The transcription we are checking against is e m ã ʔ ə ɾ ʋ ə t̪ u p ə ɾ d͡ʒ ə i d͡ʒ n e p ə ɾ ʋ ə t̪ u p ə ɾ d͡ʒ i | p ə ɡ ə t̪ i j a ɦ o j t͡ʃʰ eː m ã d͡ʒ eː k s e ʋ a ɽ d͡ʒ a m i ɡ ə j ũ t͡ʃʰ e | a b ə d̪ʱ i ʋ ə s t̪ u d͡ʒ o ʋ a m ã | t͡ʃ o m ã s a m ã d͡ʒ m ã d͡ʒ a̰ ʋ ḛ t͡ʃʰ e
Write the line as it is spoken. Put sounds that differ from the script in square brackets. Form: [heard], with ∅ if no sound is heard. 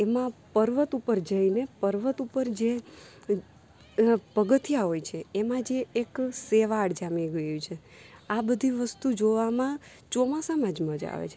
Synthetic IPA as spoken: e m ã [p] ə ɾ ʋ ə t̪ u p ə ɾ d͡ʒ ə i [∅] n e p ə ɾ ʋ ə t̪ u p ə ɾ d͡ʒ [e] | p ə ɡ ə t̪ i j a ɦ o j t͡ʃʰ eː m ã d͡ʒ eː k s e ʋ a ɽ d͡ʒ a m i ɡ ə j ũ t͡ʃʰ e | a b ə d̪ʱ i ʋ ə s t̪ u d͡ʒ o ʋ a m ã | t͡ʃ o m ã s a m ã d͡ʒ m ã d͡ʒ a̰ ʋ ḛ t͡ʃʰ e